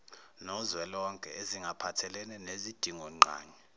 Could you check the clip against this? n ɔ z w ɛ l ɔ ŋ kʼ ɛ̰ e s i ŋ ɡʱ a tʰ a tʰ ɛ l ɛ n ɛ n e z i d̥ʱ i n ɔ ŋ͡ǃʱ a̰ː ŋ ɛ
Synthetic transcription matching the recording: n ɔ z w ɛ l ɔ ŋ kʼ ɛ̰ e z i ŋ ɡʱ a pʰ a tʰ ɛ l ɛ n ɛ n e z i d̥ʱ i ŋ ɔ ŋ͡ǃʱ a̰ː ɲ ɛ